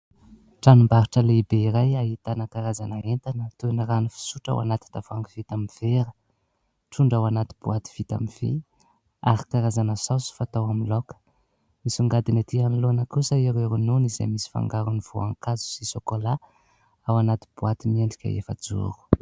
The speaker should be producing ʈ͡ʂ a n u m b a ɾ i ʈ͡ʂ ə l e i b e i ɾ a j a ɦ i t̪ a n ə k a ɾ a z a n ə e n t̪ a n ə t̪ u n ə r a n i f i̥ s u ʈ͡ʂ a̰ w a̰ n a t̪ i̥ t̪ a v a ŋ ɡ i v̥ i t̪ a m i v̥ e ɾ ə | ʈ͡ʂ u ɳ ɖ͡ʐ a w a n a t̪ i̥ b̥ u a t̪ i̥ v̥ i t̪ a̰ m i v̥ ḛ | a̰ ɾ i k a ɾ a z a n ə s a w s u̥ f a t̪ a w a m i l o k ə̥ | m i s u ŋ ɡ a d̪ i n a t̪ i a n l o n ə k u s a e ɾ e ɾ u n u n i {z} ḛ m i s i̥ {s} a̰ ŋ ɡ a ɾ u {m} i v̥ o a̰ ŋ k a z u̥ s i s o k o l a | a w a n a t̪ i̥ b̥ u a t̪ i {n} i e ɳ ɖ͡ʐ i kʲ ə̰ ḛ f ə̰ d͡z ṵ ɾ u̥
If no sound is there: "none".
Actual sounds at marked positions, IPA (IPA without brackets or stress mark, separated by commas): z, f, n, m